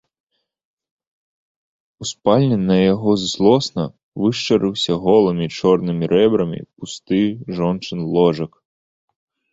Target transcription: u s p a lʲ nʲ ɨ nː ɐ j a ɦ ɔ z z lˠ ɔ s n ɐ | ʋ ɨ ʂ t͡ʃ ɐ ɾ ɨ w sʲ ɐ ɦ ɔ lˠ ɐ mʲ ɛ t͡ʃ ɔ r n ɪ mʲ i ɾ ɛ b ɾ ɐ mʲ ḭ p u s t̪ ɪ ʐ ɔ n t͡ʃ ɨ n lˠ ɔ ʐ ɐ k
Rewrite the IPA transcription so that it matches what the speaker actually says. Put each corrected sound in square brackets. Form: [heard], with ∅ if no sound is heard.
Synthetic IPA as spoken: u s p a lʲ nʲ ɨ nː ɐ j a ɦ ɔ z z lˠ ɔ s n ɐ | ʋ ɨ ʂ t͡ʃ ɐ ɾ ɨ w sʲ ɐ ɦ ɔ lˠ ɐ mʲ [i] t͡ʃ ɔ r n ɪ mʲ i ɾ ɛ b ɾ ɐ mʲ ḭ p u s t̪ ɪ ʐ ɔ n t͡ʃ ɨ n lˠ ɔ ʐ ɐ k